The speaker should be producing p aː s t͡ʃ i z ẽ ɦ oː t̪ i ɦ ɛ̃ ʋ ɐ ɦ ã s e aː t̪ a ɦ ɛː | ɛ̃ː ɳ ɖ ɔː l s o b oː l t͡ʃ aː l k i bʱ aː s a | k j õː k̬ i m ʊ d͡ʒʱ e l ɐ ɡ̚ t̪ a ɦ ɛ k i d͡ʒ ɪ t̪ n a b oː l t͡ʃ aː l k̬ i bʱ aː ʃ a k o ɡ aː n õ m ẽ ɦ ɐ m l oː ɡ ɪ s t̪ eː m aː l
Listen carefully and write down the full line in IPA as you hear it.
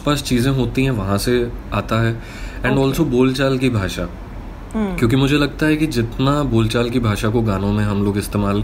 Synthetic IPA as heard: p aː s t͡ʃ iː z ẽ ɦ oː t̪ i ɦ ɛ̃ ʋ ɐ ɦ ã s e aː t̪ a ɦ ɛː | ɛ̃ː ɳ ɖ ɔː l s o b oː l t͡ʃ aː l k i bʱ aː ʃ a | k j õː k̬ i m ʊ d͡ʒʱ e l ɐ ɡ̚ t̪ a ɦ ɛ k i d͡ʒ ɪ t̪ n a b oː l t͡ʃ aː l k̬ i bʱ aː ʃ a k o ɡ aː n õ m ẽ ɦ ɐ m l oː ɡ ɪ s t̪ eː m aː l